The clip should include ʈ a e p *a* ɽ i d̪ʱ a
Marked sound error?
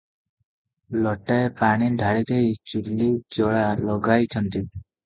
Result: no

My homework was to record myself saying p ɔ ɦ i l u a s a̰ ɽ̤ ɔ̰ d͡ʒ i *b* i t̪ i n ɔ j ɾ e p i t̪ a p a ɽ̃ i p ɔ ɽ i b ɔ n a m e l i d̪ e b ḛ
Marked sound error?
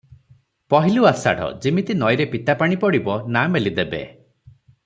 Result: yes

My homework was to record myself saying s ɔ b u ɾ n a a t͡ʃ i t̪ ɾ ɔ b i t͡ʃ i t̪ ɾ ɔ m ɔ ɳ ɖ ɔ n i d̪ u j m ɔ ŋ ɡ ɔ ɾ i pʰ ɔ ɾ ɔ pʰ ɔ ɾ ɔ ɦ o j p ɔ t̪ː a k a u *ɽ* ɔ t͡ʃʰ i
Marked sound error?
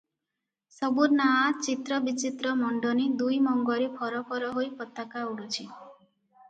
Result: no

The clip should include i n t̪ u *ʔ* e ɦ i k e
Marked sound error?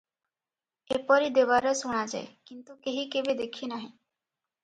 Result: yes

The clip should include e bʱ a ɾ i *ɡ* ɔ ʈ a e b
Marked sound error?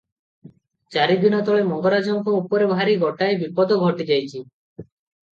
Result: no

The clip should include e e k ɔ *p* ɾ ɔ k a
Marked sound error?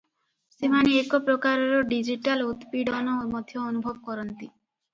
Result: no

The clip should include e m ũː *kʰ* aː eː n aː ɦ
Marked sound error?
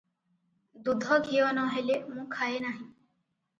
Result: no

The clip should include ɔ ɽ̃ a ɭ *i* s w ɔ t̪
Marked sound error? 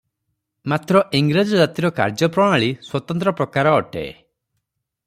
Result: no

